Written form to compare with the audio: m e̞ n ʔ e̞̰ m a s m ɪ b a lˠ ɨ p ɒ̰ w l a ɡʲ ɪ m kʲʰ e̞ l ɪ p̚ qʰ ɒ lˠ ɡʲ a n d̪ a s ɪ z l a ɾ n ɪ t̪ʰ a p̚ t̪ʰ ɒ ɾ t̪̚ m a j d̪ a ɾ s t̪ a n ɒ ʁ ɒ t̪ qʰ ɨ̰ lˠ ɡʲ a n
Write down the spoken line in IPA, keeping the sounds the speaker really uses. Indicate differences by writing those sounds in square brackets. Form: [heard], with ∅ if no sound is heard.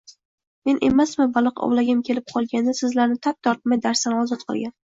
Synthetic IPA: m e̞ n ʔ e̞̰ m a s m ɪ b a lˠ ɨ [q] ɒ̰ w l a ɡʲ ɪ m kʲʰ e̞ l ɪ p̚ qʰ ɒ lˠ ɡʲ a n d̪ a s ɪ z l a ɾ n ɪ t̪ʰ a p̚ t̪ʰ ɒ ɾ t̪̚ m a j d̪ a ɾ s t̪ a n ɒ [z] ɒ t̪ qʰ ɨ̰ lˠ ɡʲ a n